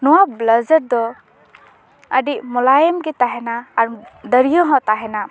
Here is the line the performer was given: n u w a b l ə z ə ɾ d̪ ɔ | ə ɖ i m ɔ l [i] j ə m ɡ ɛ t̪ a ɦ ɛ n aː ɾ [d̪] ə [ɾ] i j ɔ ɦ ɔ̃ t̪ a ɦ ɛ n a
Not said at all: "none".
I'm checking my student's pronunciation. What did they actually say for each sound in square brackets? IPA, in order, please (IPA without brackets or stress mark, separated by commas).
a, d̪, ɾ